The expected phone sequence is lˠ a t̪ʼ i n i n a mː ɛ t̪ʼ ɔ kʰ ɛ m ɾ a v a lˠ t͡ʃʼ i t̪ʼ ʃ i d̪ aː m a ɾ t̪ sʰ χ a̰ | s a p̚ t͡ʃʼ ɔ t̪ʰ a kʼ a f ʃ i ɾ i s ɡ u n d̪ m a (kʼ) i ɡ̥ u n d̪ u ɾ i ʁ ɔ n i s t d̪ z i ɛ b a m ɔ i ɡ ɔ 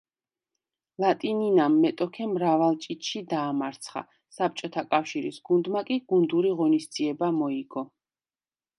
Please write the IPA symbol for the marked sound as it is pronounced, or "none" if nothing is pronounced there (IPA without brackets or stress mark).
kʼ